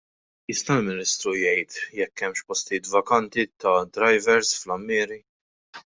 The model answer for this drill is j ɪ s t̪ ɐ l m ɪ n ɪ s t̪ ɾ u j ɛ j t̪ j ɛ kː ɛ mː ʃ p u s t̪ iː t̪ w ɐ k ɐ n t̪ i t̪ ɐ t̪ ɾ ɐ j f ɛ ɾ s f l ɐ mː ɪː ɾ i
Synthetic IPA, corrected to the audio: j ɪ s t̪ ɐ l m ɪ n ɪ s t̪ ɾ u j ɛ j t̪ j ɛ kː ɛ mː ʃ p ɔ s t̪ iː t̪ v ɐ k ɐ n t̪ i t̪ ɐ d̪ ɾ ɐ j v ɛ ɾ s f l ɐ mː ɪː ɾ i